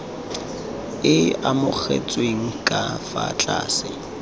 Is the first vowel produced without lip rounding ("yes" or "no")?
yes